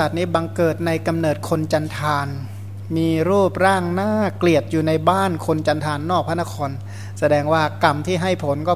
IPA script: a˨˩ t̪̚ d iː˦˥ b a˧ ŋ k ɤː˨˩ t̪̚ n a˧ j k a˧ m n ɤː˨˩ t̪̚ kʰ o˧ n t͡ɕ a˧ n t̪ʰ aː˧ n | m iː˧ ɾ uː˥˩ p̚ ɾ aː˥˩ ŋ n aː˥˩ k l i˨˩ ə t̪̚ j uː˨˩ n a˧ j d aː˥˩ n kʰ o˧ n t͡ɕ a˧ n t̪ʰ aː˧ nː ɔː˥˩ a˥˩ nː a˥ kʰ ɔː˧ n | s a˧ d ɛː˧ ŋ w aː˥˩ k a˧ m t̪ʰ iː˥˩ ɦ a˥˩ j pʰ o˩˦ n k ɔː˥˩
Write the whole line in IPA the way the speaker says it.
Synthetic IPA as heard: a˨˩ t̪̚ n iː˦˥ b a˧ ŋ k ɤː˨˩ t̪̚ n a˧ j k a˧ m n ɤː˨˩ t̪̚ kʰ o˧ n t͡ɕ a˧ n t̪ʰ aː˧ n | m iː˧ ɾ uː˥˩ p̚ ɾ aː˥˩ ŋ n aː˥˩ k l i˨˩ ə t̪̚ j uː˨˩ n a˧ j b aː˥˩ n kʰ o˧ n t͡ɕ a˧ n t̪ʰ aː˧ nː ɔː˥˩ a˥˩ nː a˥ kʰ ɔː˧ n | s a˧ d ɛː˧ ŋ w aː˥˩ k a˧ m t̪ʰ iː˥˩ ɦ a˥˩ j pʰ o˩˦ n k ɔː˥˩